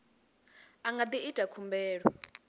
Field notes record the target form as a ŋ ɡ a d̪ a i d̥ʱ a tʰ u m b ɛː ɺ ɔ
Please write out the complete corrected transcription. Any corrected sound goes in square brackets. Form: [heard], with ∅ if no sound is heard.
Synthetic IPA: a ŋ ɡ a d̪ [i] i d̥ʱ a [kʰ] u m b ɛː ɺ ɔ